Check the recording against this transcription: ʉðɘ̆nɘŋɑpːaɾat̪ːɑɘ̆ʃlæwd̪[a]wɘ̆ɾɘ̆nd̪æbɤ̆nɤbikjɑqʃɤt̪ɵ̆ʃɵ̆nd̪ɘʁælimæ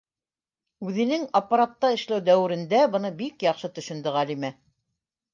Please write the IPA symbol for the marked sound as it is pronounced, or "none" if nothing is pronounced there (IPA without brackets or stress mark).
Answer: æ